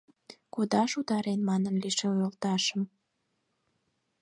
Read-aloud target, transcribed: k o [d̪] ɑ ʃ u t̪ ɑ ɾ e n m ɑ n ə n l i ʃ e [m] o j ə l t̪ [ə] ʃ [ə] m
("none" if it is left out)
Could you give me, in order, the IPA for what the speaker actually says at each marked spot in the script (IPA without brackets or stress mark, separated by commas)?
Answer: d̪, none, ɑ, ə